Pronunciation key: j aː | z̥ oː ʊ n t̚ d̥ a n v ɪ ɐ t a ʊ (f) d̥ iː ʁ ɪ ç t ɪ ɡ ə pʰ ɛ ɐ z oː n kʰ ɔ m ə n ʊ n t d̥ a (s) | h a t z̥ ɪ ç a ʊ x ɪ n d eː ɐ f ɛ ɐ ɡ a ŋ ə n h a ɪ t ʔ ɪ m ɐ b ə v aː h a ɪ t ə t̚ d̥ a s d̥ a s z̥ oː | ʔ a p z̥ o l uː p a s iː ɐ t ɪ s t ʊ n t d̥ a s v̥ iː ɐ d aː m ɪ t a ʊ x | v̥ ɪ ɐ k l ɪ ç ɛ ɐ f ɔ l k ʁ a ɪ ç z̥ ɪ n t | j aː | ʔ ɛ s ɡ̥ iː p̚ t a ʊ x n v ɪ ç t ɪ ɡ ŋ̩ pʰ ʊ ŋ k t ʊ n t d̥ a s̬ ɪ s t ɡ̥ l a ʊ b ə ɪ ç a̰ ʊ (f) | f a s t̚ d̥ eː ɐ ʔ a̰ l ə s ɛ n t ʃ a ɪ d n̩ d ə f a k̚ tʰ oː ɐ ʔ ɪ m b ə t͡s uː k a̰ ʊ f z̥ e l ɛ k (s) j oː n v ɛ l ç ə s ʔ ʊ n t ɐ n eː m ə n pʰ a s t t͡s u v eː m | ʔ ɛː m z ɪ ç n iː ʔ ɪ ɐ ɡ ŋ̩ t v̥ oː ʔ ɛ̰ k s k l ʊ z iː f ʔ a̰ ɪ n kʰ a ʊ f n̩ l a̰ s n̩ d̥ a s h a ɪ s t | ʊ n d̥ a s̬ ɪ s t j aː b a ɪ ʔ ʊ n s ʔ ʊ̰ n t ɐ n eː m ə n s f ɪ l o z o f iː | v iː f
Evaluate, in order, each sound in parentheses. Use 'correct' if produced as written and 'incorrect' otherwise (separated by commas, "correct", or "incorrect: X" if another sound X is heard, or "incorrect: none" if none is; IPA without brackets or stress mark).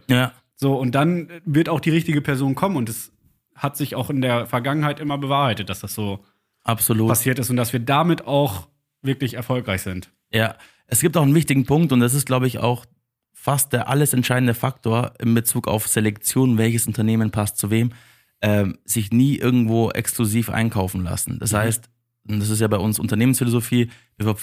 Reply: incorrect: x, correct, incorrect: x, incorrect: t͡s